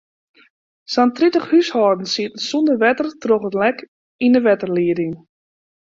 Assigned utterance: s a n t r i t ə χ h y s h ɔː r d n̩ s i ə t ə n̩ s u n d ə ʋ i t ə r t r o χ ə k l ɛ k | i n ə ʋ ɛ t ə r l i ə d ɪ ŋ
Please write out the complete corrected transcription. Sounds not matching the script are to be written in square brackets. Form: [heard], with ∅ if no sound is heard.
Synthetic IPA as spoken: s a n t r i t ə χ h y s h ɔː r d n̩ s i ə t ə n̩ s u n d ə ʋ [ɛ] t ə r t r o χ ə [t] l ɛ k | i n ə ʋ ɛ t ə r l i ə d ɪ ŋ

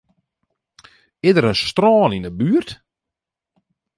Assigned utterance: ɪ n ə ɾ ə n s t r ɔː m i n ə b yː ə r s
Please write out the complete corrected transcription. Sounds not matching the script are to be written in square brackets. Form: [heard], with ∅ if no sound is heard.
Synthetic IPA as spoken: ɪ [d] ə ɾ ə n s t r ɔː [n] i n ə b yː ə r [t]

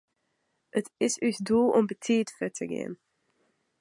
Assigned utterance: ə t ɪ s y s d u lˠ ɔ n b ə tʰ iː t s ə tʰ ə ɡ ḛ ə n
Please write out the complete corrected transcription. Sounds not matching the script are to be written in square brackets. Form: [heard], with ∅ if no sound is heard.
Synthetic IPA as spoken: ə t ɪ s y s d u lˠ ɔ [m] b ə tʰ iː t [f] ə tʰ ə ɡ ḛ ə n

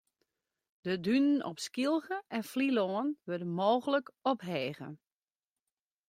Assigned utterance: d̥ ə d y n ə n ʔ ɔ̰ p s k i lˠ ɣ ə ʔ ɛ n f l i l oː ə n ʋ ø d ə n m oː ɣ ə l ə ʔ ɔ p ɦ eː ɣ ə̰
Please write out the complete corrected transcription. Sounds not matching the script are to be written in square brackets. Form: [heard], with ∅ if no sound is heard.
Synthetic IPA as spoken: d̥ ə d y n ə n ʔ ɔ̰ p s k i lˠ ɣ ə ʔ ɛ n f l i l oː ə n ʋ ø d ə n m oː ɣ ə l ə [k] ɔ p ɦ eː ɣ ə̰

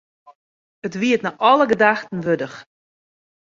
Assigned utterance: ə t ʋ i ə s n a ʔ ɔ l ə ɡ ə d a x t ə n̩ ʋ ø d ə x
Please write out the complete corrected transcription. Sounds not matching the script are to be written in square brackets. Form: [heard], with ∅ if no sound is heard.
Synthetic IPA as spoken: ə t ʋ i ə [t] n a ʔ ɔ l ə ɡ ə d a x t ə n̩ ʋ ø d ə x

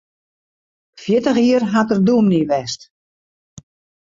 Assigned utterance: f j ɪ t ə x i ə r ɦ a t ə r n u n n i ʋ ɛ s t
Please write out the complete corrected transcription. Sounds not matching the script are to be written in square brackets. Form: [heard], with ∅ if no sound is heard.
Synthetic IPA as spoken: f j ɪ t ə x i ə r ɦ a t ə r [d] u [m] n i ʋ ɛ s t

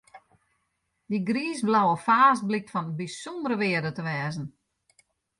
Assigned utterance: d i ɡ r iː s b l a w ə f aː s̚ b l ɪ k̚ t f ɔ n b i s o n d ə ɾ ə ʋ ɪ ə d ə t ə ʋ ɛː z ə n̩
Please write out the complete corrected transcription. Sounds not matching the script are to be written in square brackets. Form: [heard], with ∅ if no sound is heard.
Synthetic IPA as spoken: d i ɡ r iː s b l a w ə f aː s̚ b l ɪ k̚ t f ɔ n b i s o n d ə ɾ ə ʋ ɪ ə d ə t ə ʋ ɛː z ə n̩

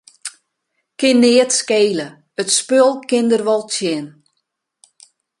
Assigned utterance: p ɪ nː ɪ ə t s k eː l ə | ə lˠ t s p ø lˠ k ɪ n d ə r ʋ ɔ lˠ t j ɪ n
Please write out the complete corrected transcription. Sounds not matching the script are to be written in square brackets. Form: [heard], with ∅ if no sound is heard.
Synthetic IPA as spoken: [k] ɪ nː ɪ ə t s k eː l ə | ə [∅] t s p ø lˠ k ɪ n d ə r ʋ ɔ lˠ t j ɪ n

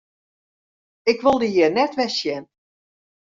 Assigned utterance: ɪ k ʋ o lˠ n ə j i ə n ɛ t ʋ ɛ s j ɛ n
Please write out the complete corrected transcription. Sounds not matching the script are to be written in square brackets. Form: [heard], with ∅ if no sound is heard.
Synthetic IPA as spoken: ɪ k ʋ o lˠ [d] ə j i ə n ɛ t ʋ ɛ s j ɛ n

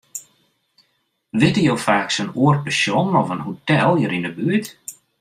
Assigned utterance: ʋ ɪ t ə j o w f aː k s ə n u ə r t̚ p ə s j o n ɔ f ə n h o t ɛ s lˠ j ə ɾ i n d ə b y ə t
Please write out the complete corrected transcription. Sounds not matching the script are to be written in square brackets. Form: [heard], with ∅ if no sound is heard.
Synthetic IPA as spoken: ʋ ɪ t ə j o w f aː k s ə n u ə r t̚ p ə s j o n ɔ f ə n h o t ɛ [∅] lˠ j ə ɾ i n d ə b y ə t

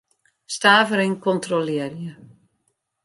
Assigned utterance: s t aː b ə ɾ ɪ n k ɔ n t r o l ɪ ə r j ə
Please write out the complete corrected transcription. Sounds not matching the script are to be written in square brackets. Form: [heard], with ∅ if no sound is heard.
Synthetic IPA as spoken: s t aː [v] ə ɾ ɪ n k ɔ n t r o l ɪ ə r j ə

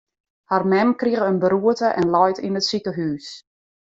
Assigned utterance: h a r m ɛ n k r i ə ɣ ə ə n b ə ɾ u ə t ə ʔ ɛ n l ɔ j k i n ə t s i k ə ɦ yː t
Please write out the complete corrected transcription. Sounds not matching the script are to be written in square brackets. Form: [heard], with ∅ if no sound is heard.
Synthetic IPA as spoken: h a r m ɛ [m] k r i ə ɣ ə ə n b ə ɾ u ə t ə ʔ ɛ n l ɔ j [t] i n ə t s i k ə ɦ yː [s]

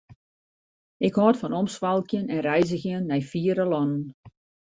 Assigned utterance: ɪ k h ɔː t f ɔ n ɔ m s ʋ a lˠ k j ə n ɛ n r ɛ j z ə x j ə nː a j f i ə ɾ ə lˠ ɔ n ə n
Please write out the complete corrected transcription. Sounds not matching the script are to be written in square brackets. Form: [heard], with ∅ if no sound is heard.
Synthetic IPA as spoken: ɪ k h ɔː t f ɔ n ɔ m s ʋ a lˠ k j ə n ɛ n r ɛ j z ə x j ə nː [ɛ] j f i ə ɾ ə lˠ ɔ n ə n

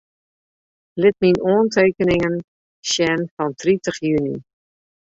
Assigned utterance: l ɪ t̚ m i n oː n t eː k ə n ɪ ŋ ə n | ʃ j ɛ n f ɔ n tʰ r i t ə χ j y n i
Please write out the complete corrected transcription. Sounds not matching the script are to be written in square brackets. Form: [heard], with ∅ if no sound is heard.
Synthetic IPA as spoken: l ɪ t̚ m i n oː n t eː k ə n ɪ ŋ ə n | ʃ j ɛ n f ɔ n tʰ r i t ə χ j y n i

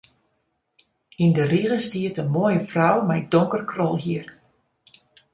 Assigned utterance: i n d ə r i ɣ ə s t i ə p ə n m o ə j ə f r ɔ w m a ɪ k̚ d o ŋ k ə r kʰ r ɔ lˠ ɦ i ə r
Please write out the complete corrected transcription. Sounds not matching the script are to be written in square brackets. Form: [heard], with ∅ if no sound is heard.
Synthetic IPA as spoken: i n d ə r i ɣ ə s t i ə [t] ə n m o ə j ə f r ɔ w m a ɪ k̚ d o ŋ k ə r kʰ r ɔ lˠ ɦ i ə r

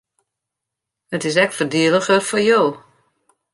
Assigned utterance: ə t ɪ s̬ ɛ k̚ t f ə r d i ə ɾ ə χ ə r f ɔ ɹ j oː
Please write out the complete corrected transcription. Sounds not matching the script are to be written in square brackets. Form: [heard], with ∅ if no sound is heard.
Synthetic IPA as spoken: ə t ɪ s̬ ɛ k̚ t f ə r d i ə [l] ə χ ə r f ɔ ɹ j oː

